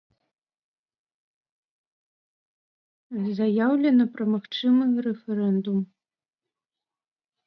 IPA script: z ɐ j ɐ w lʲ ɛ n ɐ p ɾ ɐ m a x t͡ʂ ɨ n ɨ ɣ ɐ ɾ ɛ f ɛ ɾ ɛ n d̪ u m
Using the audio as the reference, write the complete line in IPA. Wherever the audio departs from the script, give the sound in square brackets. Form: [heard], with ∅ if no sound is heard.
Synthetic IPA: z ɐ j [a] w lʲ ɛ n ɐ p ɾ ɐ m a x t͡ʂ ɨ [m] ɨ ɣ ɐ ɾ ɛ f ɛ ɾ ɛ n d̪ u m